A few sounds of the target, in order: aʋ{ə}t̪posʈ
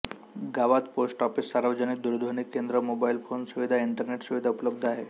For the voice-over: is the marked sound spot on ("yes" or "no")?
no